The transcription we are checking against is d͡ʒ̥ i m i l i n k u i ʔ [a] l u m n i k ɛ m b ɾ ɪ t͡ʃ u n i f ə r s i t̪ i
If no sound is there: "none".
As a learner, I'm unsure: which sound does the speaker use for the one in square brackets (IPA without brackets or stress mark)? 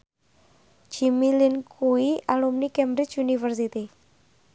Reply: a